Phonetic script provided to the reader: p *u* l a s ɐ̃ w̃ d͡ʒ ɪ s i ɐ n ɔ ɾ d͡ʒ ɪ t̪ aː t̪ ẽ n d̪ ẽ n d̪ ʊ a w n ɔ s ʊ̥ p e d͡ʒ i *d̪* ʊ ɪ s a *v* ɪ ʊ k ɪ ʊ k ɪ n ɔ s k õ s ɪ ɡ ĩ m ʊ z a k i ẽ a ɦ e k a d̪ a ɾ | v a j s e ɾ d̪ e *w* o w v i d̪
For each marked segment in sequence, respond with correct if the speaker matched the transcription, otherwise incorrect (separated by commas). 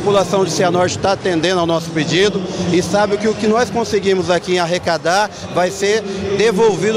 correct, correct, incorrect, incorrect